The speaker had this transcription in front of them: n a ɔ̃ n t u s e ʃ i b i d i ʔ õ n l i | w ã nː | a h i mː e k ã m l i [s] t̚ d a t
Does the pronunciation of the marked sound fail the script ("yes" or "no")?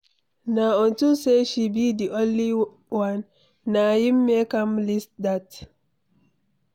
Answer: no